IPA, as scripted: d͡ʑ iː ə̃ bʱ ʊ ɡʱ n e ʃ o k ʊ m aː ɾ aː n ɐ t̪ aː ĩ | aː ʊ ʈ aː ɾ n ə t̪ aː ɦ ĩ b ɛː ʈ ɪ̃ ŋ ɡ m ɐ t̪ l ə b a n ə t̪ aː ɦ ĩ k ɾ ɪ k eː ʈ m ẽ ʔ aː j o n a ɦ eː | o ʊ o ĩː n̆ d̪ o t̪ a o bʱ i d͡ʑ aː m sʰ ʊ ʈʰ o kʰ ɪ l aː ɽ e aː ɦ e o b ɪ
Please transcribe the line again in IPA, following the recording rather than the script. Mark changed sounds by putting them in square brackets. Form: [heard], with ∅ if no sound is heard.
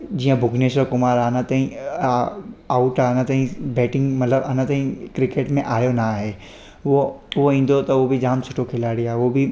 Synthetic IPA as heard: d͡ʑ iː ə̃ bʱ ʊ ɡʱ n e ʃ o k ʊ m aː ɾ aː n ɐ t̪ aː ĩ | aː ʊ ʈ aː [∅] n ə t̪ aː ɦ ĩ b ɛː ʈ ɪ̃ ŋ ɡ m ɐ t̪ l ə b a n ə t̪ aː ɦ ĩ k ɾ ɪ k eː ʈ m ẽ ʔ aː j o n a ɦ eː | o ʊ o ĩː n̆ d̪ o t̪ [ɐ] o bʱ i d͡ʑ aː m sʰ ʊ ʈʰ o kʰ ɪ l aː ɽ [i] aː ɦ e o b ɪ

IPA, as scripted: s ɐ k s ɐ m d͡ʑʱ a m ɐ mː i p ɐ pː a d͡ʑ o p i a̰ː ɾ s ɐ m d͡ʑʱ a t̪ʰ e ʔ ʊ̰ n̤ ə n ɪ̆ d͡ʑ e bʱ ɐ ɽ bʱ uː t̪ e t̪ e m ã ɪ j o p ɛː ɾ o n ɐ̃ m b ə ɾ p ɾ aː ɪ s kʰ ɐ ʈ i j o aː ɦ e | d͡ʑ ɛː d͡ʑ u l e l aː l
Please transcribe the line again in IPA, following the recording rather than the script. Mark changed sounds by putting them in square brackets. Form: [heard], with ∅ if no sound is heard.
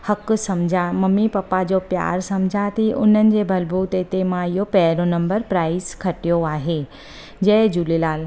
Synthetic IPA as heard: [h] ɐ k s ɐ m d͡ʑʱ a m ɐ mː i p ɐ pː a d͡ʑ o p [j] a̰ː ɾ s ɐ m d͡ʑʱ a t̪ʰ [i] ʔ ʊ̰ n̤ ə n ɪ̆ d͡ʑ e bʱ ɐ [l] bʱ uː t̪ e t̪ e m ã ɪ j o p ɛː ɾ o n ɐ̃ m b ə ɾ p ɾ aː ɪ s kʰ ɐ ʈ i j o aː ɦ e | d͡ʑ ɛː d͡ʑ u l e l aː l

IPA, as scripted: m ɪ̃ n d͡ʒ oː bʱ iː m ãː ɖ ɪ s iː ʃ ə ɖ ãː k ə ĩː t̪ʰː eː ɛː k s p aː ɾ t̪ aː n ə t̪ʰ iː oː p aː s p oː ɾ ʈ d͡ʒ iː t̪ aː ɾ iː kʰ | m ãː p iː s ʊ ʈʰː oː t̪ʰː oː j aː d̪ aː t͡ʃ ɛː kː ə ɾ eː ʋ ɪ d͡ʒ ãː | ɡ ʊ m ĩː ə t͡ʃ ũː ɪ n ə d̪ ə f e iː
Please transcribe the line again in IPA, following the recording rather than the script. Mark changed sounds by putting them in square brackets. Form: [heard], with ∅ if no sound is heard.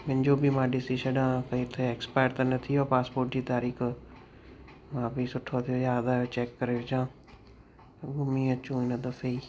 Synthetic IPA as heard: m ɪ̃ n d͡ʒ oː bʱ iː m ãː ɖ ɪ s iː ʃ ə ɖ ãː k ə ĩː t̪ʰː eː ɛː k s p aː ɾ t̪ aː n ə t̪ʰ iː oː p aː s p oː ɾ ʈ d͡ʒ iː t̪ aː ɾ iː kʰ | m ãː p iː s ʊ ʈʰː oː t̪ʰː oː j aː d̪ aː t͡ʃ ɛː kː ə ɾ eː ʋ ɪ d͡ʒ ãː | ɡ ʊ m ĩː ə t͡ʃ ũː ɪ n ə d̪ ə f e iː

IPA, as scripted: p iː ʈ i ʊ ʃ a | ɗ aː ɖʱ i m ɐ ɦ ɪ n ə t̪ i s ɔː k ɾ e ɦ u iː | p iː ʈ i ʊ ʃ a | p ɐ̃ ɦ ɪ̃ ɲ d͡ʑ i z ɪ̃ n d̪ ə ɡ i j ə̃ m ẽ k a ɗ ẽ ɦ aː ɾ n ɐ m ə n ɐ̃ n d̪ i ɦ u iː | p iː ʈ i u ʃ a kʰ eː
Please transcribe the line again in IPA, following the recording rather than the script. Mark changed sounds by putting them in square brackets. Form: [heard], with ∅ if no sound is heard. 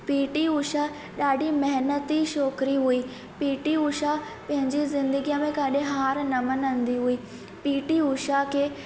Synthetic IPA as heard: p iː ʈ i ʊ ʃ a | ɗ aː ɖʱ i m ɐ ɦ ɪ n ə t̪ i [ʃ] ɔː k ɾ [i] ɦ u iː | p iː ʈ i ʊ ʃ a | p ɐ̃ ɦ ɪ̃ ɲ d͡ʑ i z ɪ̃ n d̪ ə ɡ i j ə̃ m ẽ k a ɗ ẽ ɦ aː ɾ n ɐ m ə n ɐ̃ n d̪ i ɦ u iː | p iː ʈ i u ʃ a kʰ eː

